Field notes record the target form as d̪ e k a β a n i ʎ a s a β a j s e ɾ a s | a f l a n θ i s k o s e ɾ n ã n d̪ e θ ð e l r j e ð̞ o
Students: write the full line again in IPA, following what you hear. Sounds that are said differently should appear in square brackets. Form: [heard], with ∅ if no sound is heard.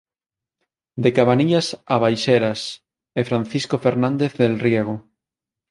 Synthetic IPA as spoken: d̪ e k a β a n i ʎ a s a β a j [ʃ] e ɾ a s | [e] f [ɾ] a n θ i s k o [f] e ɾ n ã n d̪ e θ ð e l r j e [ɣ̞] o